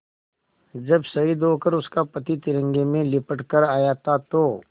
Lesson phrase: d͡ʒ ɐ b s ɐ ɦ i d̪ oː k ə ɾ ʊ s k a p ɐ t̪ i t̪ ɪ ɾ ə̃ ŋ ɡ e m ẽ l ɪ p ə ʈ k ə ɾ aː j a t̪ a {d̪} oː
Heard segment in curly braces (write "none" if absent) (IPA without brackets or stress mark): t̪